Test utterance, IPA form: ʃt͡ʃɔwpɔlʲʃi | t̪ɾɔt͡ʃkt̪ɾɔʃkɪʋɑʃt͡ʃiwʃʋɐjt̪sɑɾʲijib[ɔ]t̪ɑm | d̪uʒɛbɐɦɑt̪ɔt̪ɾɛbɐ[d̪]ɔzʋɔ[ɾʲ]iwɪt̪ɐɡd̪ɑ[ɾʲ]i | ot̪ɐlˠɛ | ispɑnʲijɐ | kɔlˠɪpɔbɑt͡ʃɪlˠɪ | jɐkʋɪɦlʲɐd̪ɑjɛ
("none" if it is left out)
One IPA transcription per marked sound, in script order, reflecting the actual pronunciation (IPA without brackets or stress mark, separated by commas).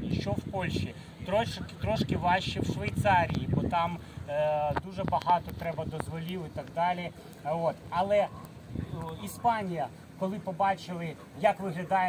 ɔ, d̪, lʲ, lʲ